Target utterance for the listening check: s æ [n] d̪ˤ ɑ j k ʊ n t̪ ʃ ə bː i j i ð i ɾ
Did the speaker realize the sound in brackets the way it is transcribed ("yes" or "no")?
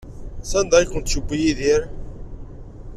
yes